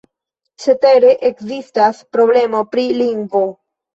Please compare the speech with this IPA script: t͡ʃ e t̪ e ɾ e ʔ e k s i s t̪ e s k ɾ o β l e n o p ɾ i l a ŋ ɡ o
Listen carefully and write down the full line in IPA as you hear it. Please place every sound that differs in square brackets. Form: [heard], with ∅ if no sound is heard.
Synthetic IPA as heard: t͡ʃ e t̪ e ɾ e ʔ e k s i s t̪ [a] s [p] ɾ o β l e [m] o p ɾ i l [i] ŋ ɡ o